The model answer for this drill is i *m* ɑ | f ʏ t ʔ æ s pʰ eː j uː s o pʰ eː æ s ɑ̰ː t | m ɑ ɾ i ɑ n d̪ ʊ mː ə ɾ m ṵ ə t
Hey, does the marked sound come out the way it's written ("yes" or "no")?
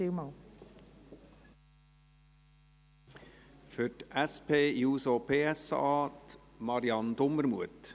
yes